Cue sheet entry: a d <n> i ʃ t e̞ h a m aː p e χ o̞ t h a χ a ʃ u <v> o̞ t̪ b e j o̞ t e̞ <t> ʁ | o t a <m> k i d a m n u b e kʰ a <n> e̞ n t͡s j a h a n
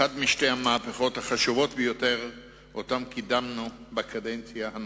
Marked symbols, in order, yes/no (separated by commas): no, yes, no, yes, no